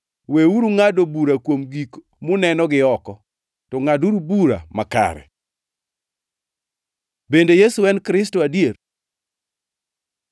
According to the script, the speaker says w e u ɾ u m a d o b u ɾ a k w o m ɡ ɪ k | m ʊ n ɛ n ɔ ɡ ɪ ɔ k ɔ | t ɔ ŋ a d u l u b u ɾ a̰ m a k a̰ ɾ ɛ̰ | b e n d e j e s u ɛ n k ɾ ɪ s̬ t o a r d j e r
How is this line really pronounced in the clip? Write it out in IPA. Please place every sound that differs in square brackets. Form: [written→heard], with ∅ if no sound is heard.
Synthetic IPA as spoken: w e u ɾ u [m→ŋ] a d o b u ɾ a k w o m ɡ [ɪ→i] k | m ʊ n ɛ n ɔ ɡ ɪ ɔ k ɔ | t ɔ ŋ a d u [l→ɾ] u b u ɾ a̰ m a k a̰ ɾ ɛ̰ | b e n d e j e s u ɛ n k ɾ ɪ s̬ t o a [r→∅] d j e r